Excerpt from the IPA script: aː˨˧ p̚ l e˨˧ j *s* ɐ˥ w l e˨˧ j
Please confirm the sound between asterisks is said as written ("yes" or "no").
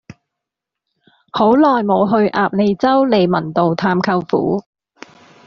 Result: no